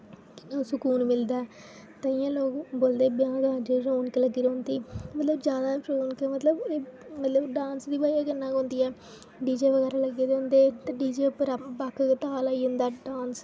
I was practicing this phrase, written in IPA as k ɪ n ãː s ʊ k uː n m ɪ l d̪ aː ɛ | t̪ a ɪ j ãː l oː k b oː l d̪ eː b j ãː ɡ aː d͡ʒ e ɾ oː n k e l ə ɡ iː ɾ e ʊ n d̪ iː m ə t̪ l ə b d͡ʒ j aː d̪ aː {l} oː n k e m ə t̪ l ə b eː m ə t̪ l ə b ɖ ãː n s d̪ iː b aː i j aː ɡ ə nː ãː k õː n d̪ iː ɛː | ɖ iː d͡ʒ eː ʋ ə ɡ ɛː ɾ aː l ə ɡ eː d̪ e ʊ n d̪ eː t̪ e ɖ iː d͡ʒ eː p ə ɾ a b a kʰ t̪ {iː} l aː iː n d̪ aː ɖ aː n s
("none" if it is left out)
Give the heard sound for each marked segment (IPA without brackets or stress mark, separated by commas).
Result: ɾ, aː